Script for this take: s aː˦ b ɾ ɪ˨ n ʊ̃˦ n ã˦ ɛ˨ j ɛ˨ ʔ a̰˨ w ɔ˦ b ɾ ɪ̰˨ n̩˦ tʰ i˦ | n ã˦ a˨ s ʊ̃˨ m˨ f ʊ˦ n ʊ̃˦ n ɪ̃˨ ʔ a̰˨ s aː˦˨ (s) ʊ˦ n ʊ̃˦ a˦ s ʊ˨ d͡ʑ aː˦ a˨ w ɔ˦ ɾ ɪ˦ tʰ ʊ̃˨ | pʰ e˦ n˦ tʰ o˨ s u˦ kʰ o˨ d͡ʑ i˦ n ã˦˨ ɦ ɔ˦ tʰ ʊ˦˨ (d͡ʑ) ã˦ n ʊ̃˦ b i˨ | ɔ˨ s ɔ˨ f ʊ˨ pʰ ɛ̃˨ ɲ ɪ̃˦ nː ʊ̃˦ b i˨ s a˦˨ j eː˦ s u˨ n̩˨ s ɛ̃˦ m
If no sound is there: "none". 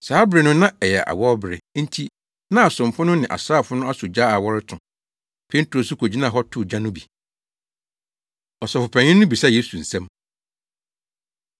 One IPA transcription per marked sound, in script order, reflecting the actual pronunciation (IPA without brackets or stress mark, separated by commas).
f, d͡ʑ